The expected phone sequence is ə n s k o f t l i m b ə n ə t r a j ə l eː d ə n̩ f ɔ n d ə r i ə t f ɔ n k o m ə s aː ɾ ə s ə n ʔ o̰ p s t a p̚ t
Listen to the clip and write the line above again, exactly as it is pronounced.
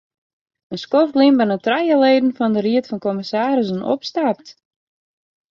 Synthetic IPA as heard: ə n s k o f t l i m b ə n ə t r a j ə l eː d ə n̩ f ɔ n d ə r i ə t f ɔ n k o m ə s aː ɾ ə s ə n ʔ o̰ p s t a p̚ t